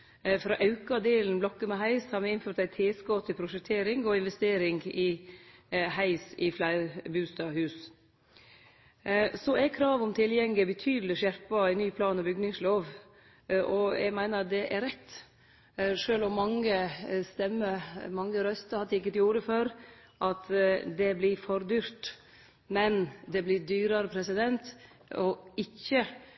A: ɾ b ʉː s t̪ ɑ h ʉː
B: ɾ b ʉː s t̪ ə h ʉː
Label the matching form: A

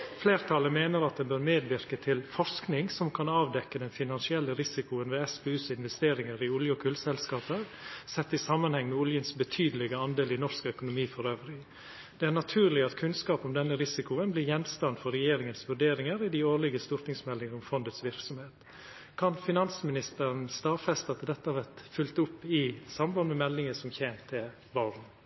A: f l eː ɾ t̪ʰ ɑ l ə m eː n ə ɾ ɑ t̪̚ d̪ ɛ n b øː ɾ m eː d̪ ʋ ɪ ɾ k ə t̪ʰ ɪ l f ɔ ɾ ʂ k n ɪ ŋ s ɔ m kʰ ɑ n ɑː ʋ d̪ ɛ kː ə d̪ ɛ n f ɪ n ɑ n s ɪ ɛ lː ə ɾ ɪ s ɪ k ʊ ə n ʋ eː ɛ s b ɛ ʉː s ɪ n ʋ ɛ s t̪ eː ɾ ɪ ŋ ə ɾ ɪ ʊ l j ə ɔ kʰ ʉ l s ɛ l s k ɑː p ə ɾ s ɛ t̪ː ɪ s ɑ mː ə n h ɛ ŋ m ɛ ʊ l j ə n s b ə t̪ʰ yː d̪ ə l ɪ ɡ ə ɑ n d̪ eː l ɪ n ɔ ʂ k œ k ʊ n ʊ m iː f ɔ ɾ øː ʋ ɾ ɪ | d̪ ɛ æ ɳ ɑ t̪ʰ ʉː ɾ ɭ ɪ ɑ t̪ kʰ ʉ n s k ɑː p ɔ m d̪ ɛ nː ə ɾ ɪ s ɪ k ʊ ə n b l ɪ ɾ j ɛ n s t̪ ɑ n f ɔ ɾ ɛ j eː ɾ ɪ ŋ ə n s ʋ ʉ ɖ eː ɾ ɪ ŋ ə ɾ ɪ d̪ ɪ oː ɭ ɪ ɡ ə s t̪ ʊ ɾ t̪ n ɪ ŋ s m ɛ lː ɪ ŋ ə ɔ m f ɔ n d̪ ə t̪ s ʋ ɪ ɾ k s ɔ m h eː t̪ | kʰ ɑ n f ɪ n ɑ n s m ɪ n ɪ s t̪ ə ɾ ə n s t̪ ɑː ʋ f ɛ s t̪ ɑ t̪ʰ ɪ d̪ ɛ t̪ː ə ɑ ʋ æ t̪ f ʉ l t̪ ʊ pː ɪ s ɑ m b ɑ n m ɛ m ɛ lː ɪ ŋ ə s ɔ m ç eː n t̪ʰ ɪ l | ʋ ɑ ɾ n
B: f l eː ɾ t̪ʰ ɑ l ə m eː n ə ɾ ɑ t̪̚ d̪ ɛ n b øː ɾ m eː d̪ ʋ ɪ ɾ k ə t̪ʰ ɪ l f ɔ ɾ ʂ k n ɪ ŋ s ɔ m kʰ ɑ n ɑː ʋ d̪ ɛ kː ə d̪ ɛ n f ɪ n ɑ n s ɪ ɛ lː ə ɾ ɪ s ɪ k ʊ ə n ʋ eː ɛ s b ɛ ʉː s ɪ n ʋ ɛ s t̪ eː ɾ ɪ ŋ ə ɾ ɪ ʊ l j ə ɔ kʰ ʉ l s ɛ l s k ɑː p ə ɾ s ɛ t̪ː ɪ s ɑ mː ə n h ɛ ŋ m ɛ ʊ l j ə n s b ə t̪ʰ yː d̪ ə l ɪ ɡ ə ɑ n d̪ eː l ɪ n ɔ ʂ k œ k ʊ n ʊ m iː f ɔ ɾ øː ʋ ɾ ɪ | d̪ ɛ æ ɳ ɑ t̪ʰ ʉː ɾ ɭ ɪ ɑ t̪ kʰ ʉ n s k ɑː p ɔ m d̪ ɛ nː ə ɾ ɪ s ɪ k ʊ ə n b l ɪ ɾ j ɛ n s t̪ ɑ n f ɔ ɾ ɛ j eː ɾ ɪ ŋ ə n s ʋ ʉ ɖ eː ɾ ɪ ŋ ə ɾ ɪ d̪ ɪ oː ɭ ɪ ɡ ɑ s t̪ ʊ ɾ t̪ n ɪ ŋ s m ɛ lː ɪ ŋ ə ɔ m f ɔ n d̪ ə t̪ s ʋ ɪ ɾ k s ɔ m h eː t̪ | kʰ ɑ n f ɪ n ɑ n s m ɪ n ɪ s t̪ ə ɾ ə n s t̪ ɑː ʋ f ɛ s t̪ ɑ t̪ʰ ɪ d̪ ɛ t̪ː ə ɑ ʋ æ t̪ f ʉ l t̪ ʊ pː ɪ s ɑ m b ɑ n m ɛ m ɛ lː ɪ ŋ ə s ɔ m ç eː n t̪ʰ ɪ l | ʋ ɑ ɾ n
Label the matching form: A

